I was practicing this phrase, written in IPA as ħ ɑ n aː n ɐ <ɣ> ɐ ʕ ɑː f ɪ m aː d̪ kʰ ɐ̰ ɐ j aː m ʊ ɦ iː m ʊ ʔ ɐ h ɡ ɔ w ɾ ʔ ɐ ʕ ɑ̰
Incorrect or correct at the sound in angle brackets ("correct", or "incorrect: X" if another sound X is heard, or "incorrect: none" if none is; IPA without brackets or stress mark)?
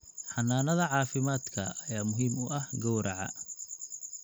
incorrect: ð